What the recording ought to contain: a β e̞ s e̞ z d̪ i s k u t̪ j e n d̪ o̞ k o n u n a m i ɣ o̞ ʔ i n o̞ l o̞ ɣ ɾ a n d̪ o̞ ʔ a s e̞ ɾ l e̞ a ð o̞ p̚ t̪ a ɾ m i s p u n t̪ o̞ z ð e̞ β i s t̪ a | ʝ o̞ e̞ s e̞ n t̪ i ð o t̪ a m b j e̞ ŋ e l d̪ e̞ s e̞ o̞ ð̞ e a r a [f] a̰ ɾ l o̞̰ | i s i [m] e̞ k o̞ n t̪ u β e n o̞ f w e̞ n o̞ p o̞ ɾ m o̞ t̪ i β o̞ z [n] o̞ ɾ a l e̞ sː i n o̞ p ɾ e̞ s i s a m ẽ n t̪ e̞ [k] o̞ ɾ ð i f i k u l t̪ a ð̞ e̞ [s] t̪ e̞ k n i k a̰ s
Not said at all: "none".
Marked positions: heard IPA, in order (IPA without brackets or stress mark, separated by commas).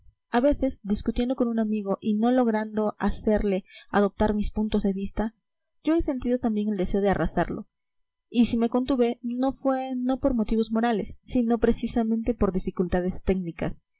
s, m, m, p, s